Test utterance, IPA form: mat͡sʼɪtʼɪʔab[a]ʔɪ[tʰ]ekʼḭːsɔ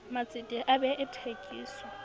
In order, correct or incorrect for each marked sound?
incorrect: ɛ, correct

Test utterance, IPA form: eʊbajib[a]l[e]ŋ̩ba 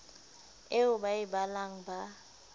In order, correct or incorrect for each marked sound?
correct, incorrect: a

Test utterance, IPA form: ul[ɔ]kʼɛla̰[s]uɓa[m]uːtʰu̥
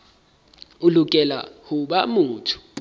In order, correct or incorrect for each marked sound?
incorrect: u, incorrect: h, correct

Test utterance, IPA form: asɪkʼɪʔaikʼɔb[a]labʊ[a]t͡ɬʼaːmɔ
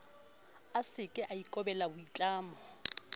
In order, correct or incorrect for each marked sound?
incorrect: ɛ, incorrect: i

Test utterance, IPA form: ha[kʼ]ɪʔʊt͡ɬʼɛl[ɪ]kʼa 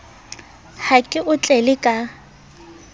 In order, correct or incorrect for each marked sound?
correct, correct

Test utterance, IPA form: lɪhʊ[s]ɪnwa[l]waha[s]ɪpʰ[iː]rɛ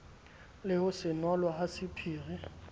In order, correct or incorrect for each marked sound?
correct, correct, correct, correct

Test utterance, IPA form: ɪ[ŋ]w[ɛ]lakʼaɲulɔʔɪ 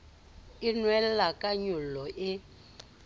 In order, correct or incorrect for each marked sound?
incorrect: n, correct

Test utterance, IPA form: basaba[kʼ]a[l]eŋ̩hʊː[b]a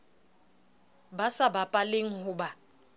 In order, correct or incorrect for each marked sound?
incorrect: pʼ, correct, correct

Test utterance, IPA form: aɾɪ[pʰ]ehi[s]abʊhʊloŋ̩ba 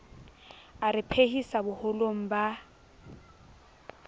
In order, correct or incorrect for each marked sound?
correct, correct

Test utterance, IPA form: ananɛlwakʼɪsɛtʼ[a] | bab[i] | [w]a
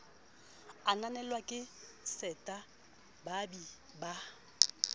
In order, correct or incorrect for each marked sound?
correct, correct, incorrect: b

